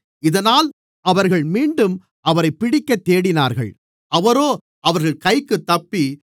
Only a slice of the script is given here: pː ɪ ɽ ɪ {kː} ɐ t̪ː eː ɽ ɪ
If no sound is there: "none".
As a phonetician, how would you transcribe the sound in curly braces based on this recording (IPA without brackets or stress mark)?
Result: kː